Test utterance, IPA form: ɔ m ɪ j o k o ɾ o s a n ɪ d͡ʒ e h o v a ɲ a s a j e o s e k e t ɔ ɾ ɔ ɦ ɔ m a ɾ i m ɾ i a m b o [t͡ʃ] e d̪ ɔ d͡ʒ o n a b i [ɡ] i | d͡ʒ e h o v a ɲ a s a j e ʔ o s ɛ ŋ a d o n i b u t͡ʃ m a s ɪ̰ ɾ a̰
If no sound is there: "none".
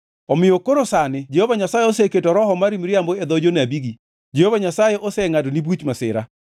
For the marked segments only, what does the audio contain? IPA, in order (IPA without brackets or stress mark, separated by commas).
none, ɡ